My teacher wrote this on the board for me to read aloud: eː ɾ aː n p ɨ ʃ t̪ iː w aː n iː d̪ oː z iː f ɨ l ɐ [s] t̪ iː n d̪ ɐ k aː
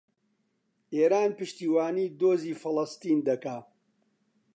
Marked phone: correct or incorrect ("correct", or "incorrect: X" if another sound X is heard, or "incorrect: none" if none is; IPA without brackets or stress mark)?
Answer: correct